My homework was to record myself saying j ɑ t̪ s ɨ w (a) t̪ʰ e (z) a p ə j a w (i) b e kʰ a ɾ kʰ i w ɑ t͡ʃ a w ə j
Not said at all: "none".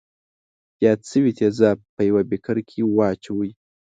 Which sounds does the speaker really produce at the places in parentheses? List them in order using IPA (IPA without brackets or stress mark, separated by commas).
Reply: i, z, a